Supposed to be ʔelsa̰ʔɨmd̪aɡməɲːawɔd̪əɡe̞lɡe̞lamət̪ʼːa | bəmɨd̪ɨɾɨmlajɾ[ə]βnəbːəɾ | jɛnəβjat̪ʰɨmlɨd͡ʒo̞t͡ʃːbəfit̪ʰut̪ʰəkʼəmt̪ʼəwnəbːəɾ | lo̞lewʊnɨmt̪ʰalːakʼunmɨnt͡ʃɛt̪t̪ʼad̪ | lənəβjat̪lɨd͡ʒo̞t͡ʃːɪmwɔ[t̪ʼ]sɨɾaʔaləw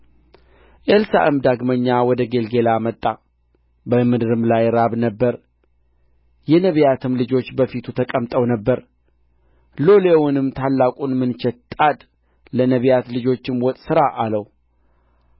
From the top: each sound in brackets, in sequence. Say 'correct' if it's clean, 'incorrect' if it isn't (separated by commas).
incorrect, correct